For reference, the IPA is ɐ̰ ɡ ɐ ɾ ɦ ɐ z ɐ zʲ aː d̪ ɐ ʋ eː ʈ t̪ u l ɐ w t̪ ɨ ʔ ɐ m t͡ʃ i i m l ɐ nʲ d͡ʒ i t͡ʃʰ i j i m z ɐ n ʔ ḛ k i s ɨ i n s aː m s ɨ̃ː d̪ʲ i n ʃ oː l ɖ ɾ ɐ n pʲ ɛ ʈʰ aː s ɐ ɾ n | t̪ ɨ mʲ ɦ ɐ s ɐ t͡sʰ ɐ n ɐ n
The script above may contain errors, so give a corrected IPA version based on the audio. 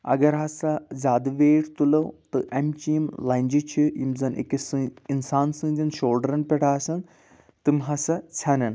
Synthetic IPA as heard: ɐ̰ ɡ ɐ ɾ ɦ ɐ s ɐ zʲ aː d̪ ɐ ʋ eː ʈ t̪ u l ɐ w t̪ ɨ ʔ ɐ m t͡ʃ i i m l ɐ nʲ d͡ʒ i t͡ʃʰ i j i m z ɐ n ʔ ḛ k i s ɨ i n s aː n s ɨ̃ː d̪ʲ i n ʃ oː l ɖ ɾ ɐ n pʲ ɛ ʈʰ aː s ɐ n | t̪ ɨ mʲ ɦ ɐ s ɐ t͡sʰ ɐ n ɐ n